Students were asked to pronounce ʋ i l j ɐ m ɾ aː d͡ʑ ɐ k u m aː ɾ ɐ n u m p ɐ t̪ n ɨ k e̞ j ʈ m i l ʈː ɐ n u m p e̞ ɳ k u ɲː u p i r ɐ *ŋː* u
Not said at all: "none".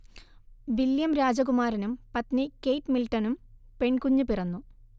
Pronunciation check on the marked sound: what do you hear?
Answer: nː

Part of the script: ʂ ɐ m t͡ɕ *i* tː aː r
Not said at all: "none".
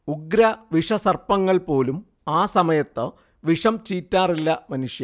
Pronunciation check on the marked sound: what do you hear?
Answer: iː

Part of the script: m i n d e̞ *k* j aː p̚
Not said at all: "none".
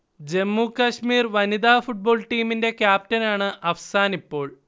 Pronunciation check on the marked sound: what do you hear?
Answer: k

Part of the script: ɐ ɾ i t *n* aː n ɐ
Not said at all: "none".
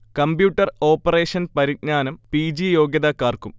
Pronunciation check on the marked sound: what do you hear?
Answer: ɲ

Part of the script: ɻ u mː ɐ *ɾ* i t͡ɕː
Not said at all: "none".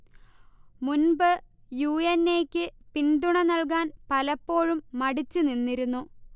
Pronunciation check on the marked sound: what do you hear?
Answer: ɽ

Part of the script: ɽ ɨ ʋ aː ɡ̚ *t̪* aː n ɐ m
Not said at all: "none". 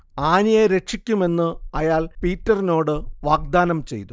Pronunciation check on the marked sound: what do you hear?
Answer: d̪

